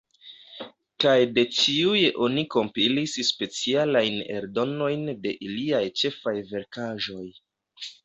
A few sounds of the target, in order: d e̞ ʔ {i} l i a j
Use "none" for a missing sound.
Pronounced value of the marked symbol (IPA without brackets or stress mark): i